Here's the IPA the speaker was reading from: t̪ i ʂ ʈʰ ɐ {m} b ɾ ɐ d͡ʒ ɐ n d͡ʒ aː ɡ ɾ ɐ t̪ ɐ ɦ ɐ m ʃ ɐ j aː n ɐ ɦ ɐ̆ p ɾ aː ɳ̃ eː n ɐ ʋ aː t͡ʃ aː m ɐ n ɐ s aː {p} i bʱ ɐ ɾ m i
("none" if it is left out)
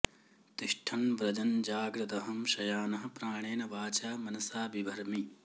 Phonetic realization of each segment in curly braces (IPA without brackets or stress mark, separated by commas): n, b